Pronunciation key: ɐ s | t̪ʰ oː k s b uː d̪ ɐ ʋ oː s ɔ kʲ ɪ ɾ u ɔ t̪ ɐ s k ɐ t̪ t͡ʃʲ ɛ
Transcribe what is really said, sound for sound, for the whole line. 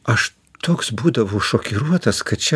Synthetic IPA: ɐ ʃ | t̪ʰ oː k s b uː d̪ ɐ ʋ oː ʃ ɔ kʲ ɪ ɾ u ɔ t̪ ɐ s k ɐ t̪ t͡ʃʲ ɛ